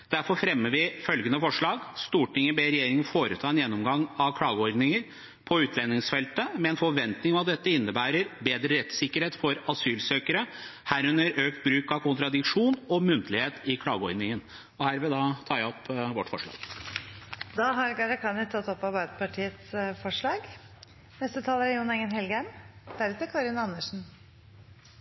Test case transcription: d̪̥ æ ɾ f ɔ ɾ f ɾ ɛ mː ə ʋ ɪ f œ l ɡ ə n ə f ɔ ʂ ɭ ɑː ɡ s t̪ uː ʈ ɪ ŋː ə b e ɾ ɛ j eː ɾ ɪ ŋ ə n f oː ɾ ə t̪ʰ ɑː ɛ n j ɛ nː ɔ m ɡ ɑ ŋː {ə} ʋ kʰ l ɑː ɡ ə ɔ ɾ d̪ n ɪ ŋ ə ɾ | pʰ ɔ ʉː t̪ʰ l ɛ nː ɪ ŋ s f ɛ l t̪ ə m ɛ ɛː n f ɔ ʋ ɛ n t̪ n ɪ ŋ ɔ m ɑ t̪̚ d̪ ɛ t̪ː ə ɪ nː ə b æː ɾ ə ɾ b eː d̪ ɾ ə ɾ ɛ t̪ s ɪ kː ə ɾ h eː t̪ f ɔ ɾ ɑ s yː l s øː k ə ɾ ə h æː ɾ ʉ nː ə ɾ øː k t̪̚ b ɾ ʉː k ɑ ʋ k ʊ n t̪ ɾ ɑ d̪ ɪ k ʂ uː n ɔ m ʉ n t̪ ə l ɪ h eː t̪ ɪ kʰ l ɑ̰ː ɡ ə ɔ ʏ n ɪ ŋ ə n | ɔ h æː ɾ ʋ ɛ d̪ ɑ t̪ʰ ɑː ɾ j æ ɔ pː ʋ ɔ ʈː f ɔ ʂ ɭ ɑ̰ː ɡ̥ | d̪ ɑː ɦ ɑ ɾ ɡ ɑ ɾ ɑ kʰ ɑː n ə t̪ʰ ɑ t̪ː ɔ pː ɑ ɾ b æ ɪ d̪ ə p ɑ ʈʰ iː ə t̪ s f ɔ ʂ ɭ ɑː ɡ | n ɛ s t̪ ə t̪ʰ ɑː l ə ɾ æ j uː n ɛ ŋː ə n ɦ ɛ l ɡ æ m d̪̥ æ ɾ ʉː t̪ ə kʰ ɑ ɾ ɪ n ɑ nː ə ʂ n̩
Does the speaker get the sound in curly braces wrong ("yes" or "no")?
yes